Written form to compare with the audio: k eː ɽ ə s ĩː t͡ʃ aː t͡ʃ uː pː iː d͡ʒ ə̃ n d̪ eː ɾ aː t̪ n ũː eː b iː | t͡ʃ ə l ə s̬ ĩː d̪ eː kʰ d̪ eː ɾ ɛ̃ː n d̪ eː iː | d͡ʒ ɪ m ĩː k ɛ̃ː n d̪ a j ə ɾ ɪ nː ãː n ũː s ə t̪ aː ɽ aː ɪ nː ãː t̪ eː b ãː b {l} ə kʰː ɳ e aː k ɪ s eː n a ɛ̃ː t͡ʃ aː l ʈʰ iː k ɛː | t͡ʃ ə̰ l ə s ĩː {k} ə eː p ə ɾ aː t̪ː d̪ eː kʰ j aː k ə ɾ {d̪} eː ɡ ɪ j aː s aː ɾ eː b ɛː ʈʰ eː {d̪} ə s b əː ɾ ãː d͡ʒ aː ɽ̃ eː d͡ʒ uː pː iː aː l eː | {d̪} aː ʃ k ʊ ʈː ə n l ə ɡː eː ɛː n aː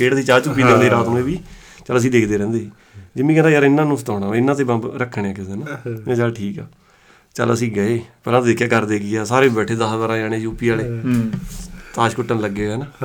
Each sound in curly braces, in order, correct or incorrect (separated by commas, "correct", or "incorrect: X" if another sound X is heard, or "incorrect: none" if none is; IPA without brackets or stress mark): incorrect: ɾ, incorrect: ɡ, correct, correct, incorrect: t̪